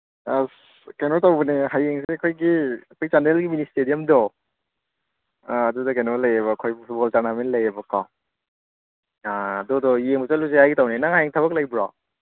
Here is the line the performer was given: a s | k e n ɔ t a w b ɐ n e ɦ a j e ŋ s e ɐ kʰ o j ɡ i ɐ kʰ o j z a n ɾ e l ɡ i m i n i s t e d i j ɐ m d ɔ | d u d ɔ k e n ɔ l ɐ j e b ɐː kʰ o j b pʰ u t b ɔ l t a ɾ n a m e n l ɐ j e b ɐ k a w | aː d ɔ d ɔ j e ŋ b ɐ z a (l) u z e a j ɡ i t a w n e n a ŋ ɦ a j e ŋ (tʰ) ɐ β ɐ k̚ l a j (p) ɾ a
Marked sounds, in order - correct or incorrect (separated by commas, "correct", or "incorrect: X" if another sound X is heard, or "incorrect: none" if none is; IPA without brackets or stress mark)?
correct, correct, incorrect: b